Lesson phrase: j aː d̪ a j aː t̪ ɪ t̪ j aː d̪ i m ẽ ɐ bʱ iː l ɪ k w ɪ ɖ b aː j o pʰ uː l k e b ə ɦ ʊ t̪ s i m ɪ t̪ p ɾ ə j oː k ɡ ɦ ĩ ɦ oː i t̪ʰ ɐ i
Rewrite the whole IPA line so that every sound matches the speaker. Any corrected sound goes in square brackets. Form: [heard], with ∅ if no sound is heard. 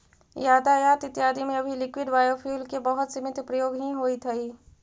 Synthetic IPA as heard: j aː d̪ a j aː t̪ ɪ t̪ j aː d̪ i m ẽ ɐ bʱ [i] l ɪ k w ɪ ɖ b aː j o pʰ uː l k e b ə ɦ ʊ t̪ s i m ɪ t̪ p ɾ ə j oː [∅] ɡ ɦ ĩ ɦ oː i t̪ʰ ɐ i